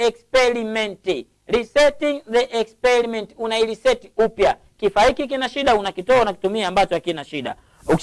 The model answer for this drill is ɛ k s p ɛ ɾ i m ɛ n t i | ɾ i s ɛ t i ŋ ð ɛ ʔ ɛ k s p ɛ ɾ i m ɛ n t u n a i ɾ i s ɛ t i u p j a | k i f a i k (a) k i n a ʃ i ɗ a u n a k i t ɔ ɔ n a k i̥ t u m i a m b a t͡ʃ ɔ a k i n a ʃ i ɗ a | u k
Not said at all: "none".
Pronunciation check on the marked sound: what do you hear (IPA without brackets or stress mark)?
i